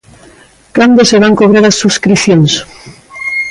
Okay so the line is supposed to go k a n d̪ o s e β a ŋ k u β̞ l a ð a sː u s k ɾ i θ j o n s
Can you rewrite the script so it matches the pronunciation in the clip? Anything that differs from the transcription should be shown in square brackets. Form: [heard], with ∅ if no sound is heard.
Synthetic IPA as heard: k a n d̪ o s e β a ŋ k [o] β̞ [ɾ] a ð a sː u s k ɾ i θ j o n s